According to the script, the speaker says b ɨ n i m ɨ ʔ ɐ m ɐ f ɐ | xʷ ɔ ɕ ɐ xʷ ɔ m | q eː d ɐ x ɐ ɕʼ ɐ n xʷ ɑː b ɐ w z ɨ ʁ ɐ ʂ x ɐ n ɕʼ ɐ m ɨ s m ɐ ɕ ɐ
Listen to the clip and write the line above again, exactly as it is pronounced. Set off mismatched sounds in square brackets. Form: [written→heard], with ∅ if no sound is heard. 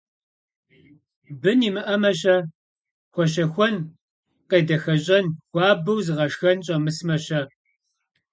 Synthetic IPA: b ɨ n i m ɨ ʔ ɐ m ɐ [f→ɕ] ɐ | xʷ ɔ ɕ ɐ xʷ ɔ [m→n] | q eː d ɐ x ɐ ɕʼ ɐ n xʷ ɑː b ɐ w z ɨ ʁ ɐ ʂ x ɐ n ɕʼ ɐ m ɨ s m ɐ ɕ ɐ